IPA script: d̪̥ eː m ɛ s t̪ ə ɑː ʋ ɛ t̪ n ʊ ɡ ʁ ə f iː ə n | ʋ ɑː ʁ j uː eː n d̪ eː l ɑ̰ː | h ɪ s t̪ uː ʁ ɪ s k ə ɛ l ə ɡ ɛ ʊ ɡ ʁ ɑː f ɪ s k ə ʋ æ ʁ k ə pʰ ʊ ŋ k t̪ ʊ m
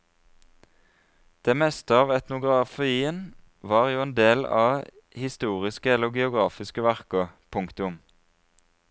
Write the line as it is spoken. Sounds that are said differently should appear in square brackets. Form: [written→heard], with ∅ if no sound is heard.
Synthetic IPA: d̪̥ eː m ɛ s t̪ ə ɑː ʋ ɛ t̪ n ʊ ɡ ʁ [ə→ɑ] f iː ə n | ʋ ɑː ʁ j uː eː n d̪ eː l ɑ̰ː | h ɪ s t̪ uː ʁ ɪ s k ə ɛ l ə ɡ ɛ ʊ ɡ ʁ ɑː f ɪ s k ə ʋ æ ʁ k ə pʰ ʊ ŋ k t̪ ʊ m